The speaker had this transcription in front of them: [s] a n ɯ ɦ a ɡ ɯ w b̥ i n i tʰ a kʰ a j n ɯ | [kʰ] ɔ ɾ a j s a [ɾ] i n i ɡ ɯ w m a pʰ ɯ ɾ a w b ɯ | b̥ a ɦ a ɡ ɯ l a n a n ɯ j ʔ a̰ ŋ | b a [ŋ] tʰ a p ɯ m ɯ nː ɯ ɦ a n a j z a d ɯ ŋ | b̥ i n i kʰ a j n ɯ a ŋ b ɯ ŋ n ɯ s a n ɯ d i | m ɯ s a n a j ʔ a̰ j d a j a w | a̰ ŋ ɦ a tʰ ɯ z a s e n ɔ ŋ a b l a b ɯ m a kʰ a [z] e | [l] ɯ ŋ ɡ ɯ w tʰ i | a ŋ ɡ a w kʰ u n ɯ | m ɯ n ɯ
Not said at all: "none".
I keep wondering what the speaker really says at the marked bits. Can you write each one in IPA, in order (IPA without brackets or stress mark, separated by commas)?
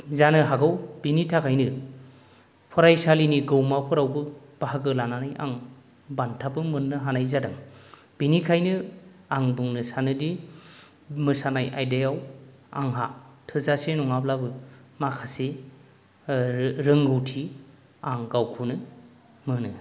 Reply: z, pʰ, l, n, s, ɾ